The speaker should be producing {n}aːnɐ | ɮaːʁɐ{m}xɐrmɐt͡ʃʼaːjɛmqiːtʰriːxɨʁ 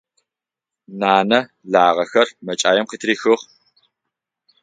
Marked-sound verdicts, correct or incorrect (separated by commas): correct, incorrect